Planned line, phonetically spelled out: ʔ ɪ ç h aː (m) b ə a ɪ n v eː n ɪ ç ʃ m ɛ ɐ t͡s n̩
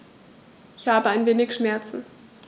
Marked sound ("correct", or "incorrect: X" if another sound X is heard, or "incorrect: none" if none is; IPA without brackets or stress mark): incorrect: none